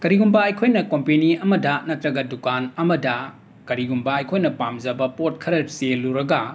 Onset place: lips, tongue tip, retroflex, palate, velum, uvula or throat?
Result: velum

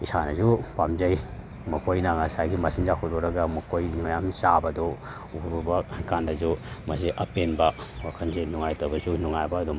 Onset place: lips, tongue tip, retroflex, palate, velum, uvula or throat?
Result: tongue tip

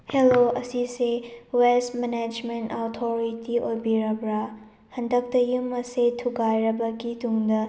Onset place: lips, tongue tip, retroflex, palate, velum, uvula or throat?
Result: throat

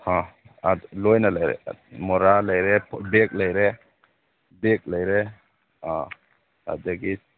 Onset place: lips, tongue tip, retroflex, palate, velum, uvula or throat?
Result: throat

